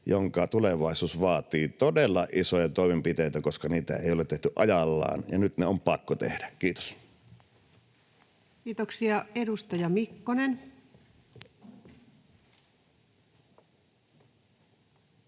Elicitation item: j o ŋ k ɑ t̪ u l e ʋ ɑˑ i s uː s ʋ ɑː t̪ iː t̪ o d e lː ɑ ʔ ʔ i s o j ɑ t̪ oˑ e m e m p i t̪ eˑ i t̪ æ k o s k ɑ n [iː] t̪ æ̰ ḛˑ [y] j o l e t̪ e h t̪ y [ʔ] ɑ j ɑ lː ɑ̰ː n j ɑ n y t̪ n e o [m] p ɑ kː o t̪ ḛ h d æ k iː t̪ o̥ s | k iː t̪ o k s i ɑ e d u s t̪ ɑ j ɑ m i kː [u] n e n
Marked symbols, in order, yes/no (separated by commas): yes, no, yes, yes, no